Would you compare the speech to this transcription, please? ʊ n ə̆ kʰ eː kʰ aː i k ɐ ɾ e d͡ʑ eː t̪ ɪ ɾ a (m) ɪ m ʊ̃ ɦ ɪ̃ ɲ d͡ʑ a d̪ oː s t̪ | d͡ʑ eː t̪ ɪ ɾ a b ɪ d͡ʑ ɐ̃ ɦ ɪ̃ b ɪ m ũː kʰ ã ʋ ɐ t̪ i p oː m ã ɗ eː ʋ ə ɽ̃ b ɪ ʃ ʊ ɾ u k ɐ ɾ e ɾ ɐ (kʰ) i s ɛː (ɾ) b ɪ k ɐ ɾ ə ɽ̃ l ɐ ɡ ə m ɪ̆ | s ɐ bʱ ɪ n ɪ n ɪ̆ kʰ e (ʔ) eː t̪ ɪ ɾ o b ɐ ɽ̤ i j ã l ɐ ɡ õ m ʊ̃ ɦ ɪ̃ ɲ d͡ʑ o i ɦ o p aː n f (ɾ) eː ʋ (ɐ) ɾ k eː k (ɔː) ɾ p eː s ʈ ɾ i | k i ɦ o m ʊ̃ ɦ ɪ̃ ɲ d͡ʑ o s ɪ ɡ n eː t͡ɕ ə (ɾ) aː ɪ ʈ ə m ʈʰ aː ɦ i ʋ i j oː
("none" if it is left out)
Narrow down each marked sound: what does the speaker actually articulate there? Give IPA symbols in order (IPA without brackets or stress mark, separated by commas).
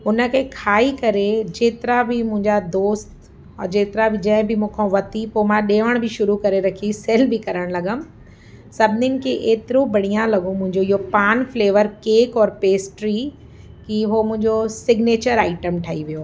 b, kʰ, l, ʔ, l, ə, ɔː, ɾ